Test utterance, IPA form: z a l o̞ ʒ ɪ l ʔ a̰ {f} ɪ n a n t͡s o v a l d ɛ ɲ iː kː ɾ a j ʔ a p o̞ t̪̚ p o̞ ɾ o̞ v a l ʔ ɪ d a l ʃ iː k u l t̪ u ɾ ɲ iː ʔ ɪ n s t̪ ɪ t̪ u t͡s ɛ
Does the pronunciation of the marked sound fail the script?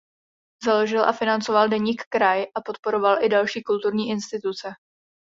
no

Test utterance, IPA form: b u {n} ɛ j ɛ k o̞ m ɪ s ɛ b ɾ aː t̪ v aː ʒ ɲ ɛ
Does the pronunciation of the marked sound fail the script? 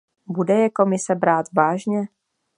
yes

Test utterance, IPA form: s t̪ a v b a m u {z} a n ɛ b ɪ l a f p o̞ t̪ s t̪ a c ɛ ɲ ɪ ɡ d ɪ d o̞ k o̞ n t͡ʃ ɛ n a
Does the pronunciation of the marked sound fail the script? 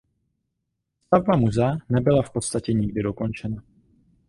no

